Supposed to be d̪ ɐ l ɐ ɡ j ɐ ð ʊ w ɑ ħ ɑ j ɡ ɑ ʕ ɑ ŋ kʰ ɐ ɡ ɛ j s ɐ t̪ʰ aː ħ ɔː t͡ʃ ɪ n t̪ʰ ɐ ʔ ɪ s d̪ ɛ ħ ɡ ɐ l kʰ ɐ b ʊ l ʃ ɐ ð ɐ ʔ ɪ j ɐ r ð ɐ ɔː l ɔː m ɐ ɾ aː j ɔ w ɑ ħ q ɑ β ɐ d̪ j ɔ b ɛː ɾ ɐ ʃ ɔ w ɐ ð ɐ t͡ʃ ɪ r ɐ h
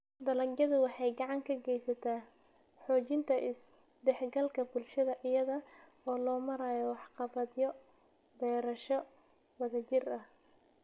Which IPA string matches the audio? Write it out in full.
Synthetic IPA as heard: d̪ ɐ l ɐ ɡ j ɐ ð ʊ w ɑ ħ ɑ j ɡ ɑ ʕ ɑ ŋ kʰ ɐ ɡ ɛ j s ɐ t̪ʰ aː ħ ɔː t͡ʃ ɪ n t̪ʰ ɐ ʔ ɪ s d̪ ɛ ħ ɡ ɐ l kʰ ɐ b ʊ l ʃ ɐ ð ɐ ʔ ɪ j ɐ ð ɐ ɔː l ɔː m ɐ ɾ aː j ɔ w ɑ ħ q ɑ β ɐ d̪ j ɔ b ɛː ɾ ɐ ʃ ɔ w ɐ ð ɐ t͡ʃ ɪ r ɐ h